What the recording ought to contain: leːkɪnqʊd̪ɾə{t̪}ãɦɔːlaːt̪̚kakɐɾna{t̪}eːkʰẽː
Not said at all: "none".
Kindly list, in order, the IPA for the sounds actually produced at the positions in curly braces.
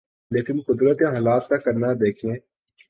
t̪, d̪

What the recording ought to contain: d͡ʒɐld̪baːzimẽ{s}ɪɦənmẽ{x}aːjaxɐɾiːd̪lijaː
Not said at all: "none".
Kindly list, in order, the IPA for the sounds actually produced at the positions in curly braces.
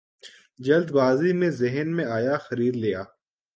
z, none

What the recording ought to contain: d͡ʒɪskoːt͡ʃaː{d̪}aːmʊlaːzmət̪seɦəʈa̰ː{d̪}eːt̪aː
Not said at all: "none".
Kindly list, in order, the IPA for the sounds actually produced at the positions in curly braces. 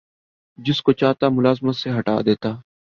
t̪, d̪

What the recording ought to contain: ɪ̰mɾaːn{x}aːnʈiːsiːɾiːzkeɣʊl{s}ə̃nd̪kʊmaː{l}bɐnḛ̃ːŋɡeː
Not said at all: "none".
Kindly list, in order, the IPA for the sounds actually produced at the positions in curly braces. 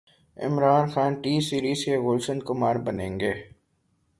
x, s, ɾ

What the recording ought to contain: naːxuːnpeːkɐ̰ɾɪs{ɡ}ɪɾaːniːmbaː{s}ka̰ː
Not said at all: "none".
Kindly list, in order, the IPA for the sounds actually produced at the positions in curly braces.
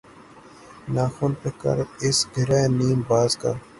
ɡ, z

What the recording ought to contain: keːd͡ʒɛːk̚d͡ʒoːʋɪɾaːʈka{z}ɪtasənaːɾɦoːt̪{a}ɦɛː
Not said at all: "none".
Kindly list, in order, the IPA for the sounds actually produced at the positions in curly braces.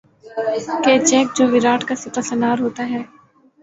s, a

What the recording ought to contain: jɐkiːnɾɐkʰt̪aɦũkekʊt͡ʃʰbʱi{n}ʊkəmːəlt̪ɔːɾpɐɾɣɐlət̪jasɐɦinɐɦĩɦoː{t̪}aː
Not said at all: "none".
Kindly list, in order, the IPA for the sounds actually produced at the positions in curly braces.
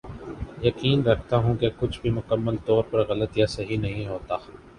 m, t̪

